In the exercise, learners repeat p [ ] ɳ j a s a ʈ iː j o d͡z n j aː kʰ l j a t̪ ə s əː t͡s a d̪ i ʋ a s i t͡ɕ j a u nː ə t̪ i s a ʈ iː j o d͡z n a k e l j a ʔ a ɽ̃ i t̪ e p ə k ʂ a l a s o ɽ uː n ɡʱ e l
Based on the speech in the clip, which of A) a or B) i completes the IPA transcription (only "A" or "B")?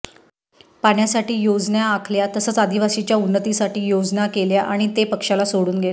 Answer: A